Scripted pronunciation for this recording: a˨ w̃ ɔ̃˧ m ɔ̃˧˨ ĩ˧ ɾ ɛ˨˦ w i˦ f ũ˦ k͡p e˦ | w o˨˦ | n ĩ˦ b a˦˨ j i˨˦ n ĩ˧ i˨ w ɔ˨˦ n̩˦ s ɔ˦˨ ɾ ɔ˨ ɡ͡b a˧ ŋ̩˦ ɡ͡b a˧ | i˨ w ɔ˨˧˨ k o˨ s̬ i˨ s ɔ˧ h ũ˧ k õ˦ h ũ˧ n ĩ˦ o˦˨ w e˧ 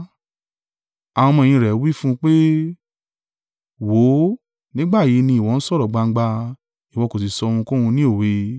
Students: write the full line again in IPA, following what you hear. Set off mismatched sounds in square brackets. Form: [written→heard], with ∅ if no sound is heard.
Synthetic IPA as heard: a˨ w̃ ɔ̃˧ m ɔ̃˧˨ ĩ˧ ɾ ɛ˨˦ w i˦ f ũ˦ k͡p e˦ | w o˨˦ | n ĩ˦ [b→ɡ͡b] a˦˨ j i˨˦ n ĩ˧ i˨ w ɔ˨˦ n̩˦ s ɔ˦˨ ɾ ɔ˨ ɡ͡b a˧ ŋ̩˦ ɡ͡b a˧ | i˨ w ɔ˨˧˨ k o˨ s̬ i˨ s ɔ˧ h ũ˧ k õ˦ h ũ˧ n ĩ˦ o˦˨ w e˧